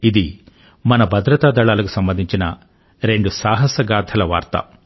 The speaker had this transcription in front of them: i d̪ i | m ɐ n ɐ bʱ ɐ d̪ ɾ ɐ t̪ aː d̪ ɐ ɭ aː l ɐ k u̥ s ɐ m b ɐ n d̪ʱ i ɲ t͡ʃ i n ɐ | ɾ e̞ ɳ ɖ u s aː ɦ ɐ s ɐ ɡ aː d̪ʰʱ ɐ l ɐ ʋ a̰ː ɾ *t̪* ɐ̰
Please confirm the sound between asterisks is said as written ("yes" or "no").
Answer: yes